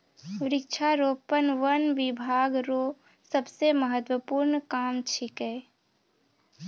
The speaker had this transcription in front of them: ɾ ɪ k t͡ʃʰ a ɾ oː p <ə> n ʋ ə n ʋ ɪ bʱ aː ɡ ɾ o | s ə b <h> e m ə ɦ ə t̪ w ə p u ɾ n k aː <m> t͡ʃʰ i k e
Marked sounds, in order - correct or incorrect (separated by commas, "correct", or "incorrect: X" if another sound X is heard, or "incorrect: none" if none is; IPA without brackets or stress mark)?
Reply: correct, incorrect: s, correct